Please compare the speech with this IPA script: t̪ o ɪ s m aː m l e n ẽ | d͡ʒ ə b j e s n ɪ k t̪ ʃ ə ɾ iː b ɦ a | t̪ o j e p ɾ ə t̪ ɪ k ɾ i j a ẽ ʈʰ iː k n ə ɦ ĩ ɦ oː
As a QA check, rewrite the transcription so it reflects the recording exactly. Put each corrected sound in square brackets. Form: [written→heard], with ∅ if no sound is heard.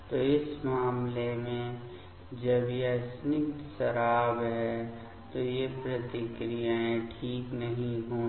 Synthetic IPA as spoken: t̪ o ɪ s m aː m l e [n→m] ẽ | d͡ʒ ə b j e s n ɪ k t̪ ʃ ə ɾ [iː→aː] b ɦ [a→ɛ] | t̪ o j e p ɾ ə t̪ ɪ k ɾ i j a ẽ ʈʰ iː k n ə ɦ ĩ ɦ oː

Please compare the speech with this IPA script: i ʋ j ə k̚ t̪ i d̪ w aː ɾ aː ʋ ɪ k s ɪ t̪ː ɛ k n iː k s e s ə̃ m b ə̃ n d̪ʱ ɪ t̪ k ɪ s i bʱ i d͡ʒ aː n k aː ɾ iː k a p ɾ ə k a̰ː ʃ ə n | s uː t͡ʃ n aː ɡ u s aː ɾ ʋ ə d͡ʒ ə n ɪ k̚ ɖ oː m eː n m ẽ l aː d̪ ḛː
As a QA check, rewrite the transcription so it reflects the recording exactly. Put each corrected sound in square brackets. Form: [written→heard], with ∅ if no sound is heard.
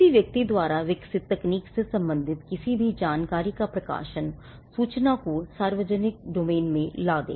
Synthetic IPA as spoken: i ʋ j ə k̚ t̪ i d̪ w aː ɾ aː ʋ ɪ k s ɪ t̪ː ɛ k n iː k s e s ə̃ m b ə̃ n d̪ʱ ɪ t̪ k ɪ s i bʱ i d͡ʒ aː n k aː ɾ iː k a p ɾ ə k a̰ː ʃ ə n | s uː t͡ʃ n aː [ɡ→k] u s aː ɾ ʋ ə d͡ʒ ə n ɪ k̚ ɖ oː m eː n m ẽ l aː d̪ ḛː

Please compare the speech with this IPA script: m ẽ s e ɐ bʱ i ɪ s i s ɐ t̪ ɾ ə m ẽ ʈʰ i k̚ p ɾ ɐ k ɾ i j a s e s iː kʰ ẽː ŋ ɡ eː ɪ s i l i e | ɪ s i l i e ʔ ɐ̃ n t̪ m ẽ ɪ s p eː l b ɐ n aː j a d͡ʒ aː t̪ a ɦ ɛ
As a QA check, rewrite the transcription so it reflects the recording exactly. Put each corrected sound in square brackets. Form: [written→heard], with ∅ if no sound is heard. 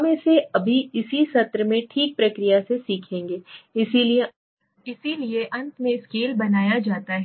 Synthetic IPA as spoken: m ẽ s e ɐ bʱ i ɪ s i s ɐ t̪ ɾ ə m ẽ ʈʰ [i→iː] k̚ p ɾ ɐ k ɾ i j a s e s iː kʰ ẽː ŋ ɡ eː ɪ s i l i e | ɪ s i l i e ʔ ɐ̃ n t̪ m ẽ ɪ s [p→k] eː l b ɐ n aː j a d͡ʒ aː t̪ a ɦ ɛ

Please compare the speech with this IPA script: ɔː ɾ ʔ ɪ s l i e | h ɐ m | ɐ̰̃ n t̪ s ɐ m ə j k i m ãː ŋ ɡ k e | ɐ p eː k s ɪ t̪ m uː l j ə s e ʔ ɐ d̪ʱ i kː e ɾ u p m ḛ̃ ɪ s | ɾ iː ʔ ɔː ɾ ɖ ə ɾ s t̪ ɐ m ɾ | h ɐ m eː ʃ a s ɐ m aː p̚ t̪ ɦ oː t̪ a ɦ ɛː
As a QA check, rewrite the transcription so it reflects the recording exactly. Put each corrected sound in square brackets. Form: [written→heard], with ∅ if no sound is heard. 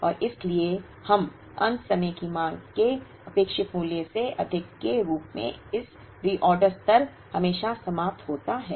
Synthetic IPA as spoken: ɔː ɾ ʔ ɪ s l i e | h ɐ m | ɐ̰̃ n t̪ s ɐ m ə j k i m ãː ŋ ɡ k e | ɐ p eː k [s→ʃ] ɪ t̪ m uː l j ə s e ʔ ɐ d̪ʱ [i→ɪ] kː e ɾ [u→uː] p m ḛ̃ ɪ s | ɾ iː ʔ ɔː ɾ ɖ ə ɾ s t̪ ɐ [m→∅] ɾ | h ɐ m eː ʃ a s ɐ m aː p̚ t̪ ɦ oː t̪ a ɦ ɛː

